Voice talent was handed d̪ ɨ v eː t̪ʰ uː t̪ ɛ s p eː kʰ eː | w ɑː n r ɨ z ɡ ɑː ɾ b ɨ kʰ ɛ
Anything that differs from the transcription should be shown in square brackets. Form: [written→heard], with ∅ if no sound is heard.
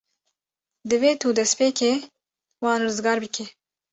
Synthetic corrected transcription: d̪ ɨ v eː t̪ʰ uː [t̪→d̪] ɛ s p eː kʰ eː | w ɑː n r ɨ z ɡ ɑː ɾ b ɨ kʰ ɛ